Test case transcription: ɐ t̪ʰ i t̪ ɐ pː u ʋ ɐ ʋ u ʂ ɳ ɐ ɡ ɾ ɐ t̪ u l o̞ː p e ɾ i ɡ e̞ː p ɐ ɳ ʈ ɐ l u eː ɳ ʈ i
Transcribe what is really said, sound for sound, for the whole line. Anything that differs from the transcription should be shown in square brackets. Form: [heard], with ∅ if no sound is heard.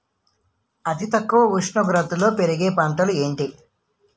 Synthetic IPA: ɐ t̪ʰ i t̪ ɐ [kː] u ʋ ɐ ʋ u ʂ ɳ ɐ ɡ ɾ ɐ t̪ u l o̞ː p e ɾ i ɡ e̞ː p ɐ ɳ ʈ ɐ l u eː ɳ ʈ i

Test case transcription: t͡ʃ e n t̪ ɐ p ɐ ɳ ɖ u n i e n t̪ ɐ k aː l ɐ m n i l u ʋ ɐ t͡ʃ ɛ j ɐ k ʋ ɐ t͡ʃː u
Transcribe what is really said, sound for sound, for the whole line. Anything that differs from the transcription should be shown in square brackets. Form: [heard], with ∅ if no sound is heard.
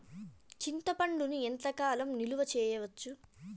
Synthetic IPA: t͡ʃ [i] n t̪ ɐ p ɐ ɳ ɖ u n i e n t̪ ɐ k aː l ɐ m n i l u ʋ ɐ t͡ʃ [ɛː] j ɐ [∅] ʋ ɐ t͡ʃː u

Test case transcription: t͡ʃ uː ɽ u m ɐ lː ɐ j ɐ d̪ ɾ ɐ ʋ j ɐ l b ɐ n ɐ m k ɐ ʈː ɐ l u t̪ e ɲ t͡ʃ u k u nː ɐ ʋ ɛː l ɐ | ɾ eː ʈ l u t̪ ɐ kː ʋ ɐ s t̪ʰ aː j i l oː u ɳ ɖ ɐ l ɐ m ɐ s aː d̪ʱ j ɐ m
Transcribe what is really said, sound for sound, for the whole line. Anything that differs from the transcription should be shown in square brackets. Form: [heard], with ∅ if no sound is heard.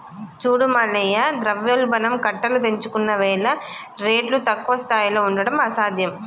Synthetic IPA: t͡ʃ uː ɽ u m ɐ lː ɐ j ɐ d̪ ɾ ɐ ʋ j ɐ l b ɐ n ɐ m k ɐ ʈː ɐ l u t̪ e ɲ t͡ʃ u k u nː ɐ ʋ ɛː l ɐ | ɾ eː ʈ l u t̪ ɐ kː ʋ ɐ s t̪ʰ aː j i l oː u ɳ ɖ ɐ [ɽ] ɐ m ɐ s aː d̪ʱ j ɐ m

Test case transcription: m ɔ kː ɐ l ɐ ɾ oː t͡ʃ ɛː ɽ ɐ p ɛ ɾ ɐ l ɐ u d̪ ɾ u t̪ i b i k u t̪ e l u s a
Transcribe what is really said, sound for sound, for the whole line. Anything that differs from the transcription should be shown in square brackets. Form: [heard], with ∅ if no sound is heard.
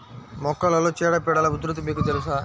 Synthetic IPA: m ɔ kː ɐ l ɐ [l] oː t͡ʃ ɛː ɽ ɐ p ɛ [ɽ] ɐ l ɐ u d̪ ɾ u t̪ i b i k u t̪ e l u s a

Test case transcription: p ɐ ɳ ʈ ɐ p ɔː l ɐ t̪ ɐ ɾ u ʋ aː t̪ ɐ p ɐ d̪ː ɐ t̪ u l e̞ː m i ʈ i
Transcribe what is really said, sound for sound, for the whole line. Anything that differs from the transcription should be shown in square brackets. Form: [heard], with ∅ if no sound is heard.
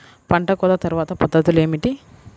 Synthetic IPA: p ɐ ɳ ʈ ɐ [k] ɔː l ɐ t̪ ɐ ɾ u ʋ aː t̪ ɐ p ɐ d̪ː ɐ t̪ u l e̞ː m i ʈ i

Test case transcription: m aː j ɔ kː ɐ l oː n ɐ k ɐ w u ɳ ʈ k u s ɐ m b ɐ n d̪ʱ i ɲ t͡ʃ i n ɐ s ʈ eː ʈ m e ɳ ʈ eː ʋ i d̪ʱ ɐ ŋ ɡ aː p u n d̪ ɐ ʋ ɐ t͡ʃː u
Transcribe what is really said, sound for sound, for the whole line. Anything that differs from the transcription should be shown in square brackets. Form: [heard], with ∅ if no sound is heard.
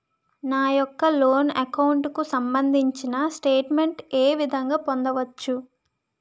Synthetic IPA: [n] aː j ɔ kː ɐ l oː n ɐ k ɐ w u ɳ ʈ k u s ɐ m b ɐ n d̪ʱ i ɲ t͡ʃ i n ɐ s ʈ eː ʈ m e ɳ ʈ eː ʋ i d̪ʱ ɐ ŋ ɡ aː p [o] n d̪ ɐ ʋ ɐ t͡ʃː u

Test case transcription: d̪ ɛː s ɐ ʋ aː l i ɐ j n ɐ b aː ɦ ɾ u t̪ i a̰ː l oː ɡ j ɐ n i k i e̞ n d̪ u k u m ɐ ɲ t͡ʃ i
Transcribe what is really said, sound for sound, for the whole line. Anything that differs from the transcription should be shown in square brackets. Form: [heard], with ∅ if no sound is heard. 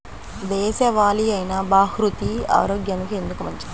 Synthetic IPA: d̪ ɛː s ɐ ʋ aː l i ɐ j n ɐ b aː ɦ ɾ u t̪ i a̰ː [ɾ] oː ɡ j ɐ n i k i e̞ n d̪ u k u m ɐ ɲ t͡ʃ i

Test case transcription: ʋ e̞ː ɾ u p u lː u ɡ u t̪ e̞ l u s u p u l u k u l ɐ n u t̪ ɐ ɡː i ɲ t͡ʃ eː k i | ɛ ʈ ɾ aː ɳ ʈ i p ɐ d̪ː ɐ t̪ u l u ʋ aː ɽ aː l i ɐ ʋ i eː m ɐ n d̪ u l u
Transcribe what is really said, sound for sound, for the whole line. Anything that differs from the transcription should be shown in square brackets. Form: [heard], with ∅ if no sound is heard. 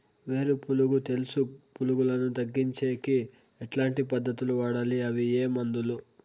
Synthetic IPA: ʋ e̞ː ɾ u p u [l] u ɡ u t̪ e̞ l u s u p u l u [ɡ] u l ɐ n u t̪ ɐ ɡː i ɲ t͡ʃ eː k i | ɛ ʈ [l] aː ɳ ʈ i p ɐ d̪ː ɐ t̪ u l u ʋ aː ɽ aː l i ɐ ʋ i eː m ɐ n d̪ u l u

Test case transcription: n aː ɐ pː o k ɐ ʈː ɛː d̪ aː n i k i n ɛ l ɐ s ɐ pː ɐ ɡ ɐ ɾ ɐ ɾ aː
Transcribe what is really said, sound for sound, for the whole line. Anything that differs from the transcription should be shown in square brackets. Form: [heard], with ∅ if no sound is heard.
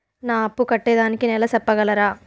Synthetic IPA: n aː ɐ pː [u] k ɐ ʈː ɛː d̪ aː n i k i n ɛ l ɐ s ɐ pː ɐ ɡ ɐ [l] ɐ ɾ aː

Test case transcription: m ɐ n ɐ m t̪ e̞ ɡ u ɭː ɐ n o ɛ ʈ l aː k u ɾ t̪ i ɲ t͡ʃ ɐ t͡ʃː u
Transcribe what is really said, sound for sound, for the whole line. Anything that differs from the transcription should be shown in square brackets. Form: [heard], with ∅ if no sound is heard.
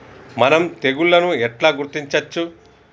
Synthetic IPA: m ɐ n ɐ m t̪ e̞ ɡ u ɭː ɐ n [u] ɛ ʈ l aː [ɡ] u ɾ t̪ i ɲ t͡ʃ ɐ t͡ʃː u

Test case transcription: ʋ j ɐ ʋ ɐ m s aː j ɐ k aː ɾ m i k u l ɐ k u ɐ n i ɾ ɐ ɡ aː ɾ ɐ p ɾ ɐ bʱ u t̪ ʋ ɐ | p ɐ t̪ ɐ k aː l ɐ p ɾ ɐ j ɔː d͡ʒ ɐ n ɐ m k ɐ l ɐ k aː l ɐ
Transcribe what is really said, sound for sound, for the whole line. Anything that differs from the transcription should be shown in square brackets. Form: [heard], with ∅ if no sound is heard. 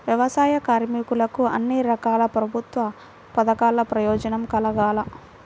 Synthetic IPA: ʋ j ɐ ʋ ɐ [∅] s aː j ɐ k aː ɾ m i k u l ɐ k u ɐ [nː] i ɾ ɐ [k] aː [l] ɐ p ɾ ɐ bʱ u t̪ ʋ ɐ | p ɐ [d̪] ɐ k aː l ɐ p ɾ ɐ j ɔː d͡ʒ ɐ n ɐ m k ɐ l ɐ [ɡ] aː l ɐ

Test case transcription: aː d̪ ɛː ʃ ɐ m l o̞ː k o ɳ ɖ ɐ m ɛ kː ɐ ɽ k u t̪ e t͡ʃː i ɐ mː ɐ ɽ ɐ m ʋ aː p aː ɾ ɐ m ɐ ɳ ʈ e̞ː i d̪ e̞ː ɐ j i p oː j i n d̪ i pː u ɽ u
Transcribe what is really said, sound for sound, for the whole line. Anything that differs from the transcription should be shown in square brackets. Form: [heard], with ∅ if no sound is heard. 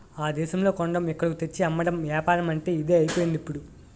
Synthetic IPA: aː d̪ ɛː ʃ ɐ m l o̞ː k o ɳ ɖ ɐ m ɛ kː ɐ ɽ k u t̪ e t͡ʃː i ɐ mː ɐ ɽ ɐ m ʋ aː p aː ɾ ɐ m ɐ ɳ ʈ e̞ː i d̪ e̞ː ɐ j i p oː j i n d̪ i pː u ɽ u

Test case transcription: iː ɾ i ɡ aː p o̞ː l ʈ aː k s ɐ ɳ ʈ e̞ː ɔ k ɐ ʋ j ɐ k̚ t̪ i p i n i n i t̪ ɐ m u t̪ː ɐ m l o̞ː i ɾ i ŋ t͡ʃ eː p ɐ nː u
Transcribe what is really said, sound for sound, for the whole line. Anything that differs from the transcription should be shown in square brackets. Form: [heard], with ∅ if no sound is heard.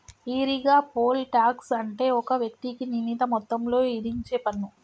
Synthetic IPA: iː ɾ i ɡ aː p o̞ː l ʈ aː k s ɐ ɳ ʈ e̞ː ɔ k ɐ ʋ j ɐ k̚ t̪ i [k] i n i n i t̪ ɐ m [ɔ] t̪ː ɐ m l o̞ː i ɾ i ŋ t͡ʃ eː p ɐ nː u

